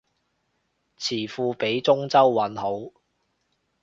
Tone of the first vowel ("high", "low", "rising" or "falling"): low